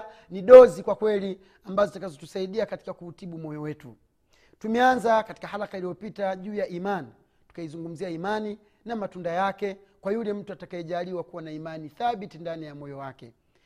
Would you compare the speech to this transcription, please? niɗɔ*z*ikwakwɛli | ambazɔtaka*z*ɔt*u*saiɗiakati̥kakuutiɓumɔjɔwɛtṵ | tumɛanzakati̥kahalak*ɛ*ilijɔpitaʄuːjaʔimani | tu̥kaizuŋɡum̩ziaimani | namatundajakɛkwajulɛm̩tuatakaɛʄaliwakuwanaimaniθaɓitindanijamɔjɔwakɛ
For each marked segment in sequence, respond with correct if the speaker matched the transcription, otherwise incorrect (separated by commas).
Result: correct, correct, correct, incorrect